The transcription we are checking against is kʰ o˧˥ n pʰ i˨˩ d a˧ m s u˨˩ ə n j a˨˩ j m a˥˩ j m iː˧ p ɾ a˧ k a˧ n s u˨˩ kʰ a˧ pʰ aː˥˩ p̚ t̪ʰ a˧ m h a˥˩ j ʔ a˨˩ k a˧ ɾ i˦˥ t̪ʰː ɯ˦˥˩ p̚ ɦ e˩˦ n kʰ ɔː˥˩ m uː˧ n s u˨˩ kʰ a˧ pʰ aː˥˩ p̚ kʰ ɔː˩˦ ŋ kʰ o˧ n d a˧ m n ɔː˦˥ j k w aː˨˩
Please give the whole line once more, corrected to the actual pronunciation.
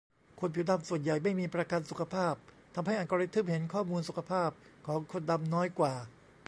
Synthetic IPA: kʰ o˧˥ n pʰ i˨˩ d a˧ m s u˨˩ ə n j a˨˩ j m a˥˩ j m iː˧ p ɾ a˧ k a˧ n s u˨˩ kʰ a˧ pʰ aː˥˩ p̚ t̪ʰ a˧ m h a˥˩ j ʔ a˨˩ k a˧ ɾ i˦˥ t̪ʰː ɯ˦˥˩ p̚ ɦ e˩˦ n kʰ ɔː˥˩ m uː˧ n s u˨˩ kʰ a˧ pʰ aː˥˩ p̚ kʰ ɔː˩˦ ŋ kʰ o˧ n d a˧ m n ɔː˦˥ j k w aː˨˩